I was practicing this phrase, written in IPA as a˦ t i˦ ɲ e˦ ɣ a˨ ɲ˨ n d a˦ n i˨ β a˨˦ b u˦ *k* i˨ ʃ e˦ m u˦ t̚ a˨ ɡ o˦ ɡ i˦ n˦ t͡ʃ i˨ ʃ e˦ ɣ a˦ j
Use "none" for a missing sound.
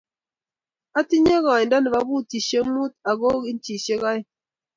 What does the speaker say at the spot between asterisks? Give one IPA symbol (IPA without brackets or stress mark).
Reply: t